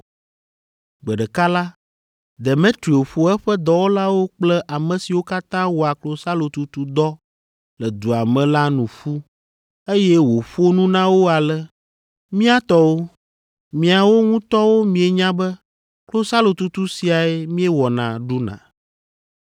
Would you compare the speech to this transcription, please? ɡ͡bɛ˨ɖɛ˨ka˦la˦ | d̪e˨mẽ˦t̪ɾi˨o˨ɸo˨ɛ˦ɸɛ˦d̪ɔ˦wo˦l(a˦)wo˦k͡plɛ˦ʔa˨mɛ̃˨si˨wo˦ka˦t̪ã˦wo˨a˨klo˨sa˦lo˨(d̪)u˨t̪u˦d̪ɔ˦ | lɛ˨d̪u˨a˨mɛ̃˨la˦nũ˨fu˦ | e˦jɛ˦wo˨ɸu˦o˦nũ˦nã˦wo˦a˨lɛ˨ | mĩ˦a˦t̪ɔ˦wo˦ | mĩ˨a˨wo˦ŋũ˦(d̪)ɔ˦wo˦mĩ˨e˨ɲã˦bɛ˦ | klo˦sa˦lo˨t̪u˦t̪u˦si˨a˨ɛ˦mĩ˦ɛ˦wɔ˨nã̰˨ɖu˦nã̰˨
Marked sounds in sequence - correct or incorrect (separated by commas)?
correct, incorrect, incorrect